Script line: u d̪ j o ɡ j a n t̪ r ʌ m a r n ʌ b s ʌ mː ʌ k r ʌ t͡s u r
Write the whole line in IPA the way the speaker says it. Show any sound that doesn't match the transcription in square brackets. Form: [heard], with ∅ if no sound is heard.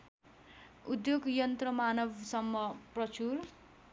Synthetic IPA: u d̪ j o ɡ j [ʌ] n t̪ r ʌ m a [∅] n ʌ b s ʌ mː ʌ [p] r ʌ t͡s u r

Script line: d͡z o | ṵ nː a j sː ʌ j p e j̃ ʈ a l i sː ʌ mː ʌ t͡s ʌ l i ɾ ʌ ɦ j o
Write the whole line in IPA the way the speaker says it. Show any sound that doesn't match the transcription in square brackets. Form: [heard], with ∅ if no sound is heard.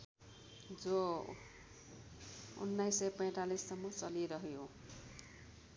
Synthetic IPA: d͡z o | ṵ nː a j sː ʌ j p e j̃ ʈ a l i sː ʌ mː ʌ t͡s ʌ l i ɾ ʌ ɦ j o

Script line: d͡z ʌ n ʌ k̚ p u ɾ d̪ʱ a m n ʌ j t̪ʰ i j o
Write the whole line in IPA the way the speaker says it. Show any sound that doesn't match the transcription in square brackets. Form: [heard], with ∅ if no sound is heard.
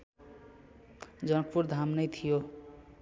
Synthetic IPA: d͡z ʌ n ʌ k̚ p u ɾ d̪ʱ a m n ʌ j t̪ʰ i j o

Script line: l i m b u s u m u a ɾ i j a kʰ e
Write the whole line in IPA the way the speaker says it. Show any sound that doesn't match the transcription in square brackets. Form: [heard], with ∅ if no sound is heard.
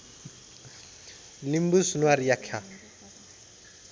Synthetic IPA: l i m b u s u [n] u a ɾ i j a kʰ [a]

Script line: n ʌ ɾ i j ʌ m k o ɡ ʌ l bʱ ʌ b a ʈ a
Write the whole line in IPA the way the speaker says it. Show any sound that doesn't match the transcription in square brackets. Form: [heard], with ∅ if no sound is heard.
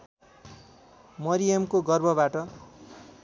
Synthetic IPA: [m] ʌ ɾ i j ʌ m k o ɡ ʌ [r] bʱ ʌ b a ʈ [ʌ]

